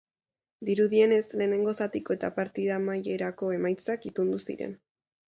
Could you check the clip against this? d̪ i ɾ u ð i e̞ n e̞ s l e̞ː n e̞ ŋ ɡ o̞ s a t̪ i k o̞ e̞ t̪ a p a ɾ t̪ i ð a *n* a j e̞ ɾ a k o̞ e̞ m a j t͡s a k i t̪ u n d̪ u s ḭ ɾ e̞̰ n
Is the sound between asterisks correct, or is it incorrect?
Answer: incorrect